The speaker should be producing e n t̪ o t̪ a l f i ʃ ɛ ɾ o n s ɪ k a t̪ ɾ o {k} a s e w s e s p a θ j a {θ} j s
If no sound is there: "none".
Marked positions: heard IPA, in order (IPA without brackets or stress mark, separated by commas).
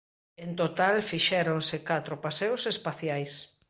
p, none